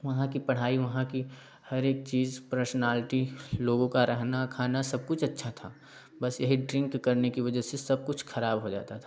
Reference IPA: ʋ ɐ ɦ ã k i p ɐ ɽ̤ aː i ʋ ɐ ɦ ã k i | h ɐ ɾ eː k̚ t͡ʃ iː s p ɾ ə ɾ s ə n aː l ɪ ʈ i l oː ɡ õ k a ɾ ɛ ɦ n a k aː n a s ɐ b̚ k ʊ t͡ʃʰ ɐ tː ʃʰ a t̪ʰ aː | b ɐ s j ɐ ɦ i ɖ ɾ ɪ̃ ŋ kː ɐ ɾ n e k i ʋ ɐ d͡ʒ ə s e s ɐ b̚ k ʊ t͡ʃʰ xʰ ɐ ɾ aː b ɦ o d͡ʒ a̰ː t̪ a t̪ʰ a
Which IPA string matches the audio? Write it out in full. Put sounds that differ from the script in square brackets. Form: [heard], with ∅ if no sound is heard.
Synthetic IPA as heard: ʋ ɐ ɦ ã k i p ɐ ɽ̤ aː i ʋ ɐ ɦ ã k i | h ɐ ɾ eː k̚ t͡ʃ iː [z] p ɾ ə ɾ s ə n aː l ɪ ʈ i l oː ɡ õ k a ɾ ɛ ɦ n a [kʰ] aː n a s ɐ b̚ k ʊ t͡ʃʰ ɐ tː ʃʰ a t̪ʰ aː | b ɐ s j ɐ ɦ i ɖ ɾ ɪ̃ ŋ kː ɐ ɾ n e k i ʋ ɐ d͡ʒ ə s e s ɐ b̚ k ʊ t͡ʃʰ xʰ ɐ ɾ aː b ɦ o d͡ʒ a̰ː t̪ a t̪ʰ a

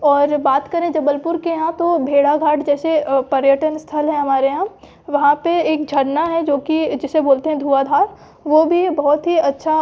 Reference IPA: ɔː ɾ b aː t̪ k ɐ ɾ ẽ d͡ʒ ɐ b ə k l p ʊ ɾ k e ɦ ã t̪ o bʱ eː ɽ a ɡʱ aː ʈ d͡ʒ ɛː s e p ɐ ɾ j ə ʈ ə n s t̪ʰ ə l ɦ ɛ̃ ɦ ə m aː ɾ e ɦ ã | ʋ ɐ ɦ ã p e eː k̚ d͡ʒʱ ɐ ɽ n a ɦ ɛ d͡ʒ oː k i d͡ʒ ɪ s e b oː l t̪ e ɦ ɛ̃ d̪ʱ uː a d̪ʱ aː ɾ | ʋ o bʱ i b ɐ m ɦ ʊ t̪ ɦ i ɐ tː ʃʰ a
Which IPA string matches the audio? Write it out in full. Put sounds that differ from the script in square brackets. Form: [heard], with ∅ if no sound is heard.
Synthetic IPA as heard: ɔː ɾ b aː t̪ k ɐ ɾ ẽ d͡ʒ ɐ b ə [∅] l p ʊ ɾ k e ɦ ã t̪ o bʱ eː ɽ a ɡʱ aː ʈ d͡ʒ ɛː s e p ɐ ɾ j ə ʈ ə n s t̪ʰ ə l ɦ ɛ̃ ɦ [ɐ] m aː ɾ e ɦ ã | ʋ ɐ ɦ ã p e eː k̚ d͡ʒʱ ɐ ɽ n a ɦ ɛ d͡ʒ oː k i d͡ʒ ɪ s e b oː l t̪ e ɦ ɛ̃ d̪ʱ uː a d̪ʱ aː ɾ | ʋ o bʱ i b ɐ [∅] ɦ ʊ t̪ ɦ i ɐ tː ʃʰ a

